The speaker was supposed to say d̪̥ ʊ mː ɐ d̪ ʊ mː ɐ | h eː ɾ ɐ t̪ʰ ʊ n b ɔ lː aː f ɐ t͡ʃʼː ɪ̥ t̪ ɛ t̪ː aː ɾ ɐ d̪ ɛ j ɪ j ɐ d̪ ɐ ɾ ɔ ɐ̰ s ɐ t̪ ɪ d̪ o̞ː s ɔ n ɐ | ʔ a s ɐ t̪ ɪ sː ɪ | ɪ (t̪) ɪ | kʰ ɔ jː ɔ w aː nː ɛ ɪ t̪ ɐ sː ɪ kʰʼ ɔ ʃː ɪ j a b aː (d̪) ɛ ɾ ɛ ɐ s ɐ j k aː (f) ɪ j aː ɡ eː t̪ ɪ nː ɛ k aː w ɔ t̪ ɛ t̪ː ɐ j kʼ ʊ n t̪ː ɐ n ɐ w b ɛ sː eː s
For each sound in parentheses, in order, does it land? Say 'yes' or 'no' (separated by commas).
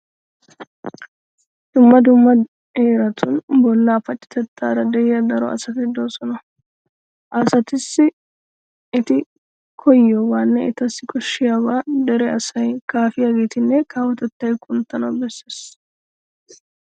yes, yes, yes